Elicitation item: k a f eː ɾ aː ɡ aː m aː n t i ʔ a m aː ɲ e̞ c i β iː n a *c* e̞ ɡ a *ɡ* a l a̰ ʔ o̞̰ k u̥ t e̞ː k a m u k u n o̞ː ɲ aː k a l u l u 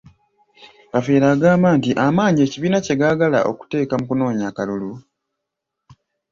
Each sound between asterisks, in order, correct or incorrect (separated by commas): correct, correct